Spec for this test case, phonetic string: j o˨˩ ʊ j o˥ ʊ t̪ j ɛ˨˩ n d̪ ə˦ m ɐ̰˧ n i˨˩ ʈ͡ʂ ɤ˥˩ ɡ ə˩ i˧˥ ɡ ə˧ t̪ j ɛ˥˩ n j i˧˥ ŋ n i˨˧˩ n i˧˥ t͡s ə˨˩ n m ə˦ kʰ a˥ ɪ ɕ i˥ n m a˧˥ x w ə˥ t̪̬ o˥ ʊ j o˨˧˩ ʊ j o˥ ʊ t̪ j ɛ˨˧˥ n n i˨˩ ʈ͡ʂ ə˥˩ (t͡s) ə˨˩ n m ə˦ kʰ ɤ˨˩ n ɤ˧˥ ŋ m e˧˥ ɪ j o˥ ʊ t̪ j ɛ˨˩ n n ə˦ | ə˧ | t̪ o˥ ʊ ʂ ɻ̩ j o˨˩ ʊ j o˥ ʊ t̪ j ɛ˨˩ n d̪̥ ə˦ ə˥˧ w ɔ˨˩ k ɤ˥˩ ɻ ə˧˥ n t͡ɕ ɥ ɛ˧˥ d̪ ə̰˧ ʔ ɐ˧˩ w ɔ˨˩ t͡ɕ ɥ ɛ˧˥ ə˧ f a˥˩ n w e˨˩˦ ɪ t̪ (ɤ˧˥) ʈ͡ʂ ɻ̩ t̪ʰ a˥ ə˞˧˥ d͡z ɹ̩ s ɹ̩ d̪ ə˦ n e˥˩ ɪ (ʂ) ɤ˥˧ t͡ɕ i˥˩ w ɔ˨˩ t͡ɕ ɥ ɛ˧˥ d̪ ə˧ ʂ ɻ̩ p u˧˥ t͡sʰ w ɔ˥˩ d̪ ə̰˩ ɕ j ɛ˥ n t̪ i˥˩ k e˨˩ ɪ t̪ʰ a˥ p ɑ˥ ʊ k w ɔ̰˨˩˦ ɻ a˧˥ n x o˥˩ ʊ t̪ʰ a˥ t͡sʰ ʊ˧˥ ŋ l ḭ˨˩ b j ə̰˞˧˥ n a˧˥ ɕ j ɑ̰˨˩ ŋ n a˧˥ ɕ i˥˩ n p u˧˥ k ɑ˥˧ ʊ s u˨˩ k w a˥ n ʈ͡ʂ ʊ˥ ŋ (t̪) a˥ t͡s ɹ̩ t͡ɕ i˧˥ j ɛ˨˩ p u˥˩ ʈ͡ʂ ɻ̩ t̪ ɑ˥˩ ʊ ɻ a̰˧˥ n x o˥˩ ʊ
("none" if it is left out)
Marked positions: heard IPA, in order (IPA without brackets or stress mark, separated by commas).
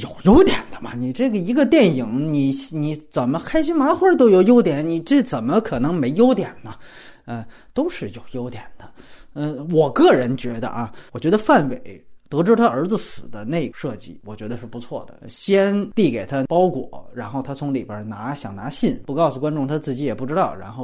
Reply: t͡s, ɤ˧˥, ʂ, t̪ʰ